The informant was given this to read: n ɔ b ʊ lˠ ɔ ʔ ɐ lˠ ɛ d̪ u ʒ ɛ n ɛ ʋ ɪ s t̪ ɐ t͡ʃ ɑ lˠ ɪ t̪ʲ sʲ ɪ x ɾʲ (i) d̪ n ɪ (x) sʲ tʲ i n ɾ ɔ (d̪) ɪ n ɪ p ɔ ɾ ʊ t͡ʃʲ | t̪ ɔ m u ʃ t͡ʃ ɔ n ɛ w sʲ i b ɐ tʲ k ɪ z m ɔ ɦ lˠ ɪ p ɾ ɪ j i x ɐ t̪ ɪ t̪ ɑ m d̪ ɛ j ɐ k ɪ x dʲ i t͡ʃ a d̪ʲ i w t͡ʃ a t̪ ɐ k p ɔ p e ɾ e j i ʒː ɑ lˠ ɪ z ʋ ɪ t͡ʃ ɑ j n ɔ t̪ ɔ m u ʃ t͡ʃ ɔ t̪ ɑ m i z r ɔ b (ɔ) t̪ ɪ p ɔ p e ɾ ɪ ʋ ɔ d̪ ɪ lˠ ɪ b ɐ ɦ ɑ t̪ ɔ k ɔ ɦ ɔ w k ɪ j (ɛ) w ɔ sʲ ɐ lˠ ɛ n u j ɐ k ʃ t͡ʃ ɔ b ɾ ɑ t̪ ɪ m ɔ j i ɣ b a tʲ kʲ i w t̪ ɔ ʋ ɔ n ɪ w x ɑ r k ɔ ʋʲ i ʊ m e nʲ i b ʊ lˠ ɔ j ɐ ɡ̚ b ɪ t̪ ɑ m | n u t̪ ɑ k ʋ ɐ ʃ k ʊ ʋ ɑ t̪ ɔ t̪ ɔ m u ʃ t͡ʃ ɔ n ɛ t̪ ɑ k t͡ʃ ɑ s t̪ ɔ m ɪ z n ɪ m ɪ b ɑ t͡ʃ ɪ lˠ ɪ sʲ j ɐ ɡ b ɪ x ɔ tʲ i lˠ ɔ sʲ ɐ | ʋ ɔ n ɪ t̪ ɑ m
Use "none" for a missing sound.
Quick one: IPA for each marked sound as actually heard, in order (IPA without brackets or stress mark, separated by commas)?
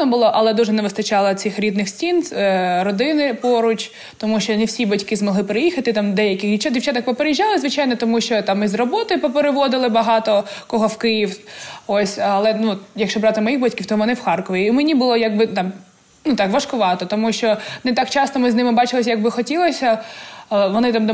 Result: i, x, d̪, ɔ, i